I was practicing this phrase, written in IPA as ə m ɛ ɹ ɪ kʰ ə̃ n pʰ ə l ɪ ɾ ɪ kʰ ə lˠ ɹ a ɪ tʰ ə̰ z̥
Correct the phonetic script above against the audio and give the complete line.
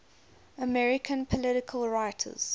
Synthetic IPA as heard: ə m ɛ ɹ ɪ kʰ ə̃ n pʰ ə l ɪ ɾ ɪ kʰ ə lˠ ɹ a ɪ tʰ ə̰ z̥